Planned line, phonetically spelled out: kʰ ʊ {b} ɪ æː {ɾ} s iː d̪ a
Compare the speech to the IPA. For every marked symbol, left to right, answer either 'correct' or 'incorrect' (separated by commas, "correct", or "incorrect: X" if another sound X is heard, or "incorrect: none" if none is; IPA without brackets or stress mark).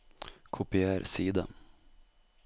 incorrect: p, correct